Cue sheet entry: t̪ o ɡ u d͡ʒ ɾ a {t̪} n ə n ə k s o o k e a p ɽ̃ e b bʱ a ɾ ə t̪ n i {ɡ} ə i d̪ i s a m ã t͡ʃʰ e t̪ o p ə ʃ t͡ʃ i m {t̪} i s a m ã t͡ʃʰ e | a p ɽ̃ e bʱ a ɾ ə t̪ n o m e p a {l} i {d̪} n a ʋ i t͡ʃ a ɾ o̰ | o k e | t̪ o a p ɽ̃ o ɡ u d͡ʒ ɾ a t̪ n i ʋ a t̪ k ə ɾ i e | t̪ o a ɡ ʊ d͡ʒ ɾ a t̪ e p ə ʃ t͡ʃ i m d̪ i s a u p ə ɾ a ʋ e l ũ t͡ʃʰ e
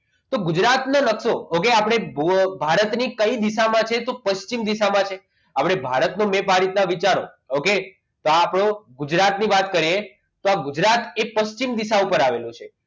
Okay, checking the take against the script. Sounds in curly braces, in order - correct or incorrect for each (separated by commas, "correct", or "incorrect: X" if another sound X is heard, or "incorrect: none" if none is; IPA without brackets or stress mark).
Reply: correct, incorrect: k, incorrect: d̪, incorrect: ɾ, incorrect: t̪